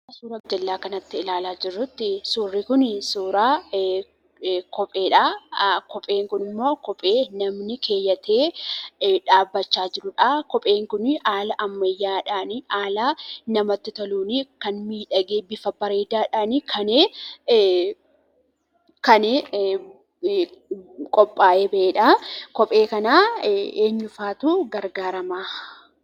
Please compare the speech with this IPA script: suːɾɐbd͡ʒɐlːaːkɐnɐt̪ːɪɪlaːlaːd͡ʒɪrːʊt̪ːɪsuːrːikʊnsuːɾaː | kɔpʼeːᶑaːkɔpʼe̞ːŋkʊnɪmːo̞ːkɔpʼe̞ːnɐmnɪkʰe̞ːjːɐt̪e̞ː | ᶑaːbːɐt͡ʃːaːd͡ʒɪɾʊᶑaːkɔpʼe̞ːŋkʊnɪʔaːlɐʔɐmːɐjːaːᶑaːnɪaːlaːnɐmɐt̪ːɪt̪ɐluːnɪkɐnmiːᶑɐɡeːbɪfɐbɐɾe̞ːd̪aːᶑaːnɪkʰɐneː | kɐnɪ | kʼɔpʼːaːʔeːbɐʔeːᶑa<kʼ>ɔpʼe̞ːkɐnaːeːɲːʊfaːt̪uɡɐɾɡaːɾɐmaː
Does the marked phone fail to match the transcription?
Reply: yes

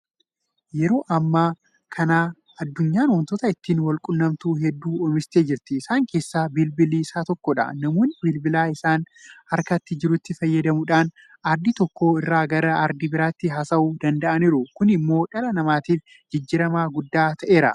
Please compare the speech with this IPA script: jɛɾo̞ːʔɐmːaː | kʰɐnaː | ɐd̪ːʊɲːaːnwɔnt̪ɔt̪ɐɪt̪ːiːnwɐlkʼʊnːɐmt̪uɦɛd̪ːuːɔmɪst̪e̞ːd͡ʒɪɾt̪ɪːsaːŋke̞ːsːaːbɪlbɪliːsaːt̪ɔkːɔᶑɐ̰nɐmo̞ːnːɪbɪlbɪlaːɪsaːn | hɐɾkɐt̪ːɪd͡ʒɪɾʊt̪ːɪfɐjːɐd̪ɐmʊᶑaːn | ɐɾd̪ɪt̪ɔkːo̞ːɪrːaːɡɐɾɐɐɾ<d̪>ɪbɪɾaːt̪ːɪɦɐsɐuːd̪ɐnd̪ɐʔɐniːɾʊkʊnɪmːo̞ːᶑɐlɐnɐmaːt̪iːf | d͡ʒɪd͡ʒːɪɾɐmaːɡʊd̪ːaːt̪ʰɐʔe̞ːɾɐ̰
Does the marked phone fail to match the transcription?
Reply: no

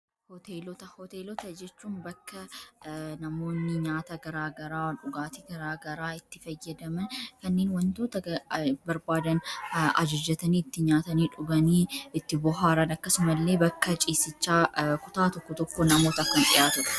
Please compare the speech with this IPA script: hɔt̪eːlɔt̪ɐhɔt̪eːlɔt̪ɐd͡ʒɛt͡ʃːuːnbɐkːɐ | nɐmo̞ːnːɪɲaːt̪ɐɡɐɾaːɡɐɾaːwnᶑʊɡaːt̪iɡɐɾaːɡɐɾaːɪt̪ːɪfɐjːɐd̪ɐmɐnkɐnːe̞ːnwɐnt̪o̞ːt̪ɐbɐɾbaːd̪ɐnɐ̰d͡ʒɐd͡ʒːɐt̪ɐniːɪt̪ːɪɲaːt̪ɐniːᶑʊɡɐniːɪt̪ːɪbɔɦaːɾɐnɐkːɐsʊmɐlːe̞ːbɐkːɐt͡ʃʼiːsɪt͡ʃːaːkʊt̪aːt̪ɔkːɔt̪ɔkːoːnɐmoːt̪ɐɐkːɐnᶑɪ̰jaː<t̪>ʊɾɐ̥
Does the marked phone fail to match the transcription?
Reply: no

